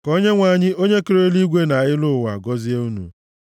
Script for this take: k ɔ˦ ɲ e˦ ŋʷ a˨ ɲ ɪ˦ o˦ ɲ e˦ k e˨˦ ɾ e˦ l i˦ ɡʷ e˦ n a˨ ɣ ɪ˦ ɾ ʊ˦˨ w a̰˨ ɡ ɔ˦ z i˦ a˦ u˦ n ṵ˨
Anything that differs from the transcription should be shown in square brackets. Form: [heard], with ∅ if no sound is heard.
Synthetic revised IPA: k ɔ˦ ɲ e˦ ŋʷ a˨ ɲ ɪ˦ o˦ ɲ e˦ k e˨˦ ɾ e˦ l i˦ ɡʷ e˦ n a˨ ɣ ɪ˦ [l] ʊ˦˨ w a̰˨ ɡ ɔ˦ z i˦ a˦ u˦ n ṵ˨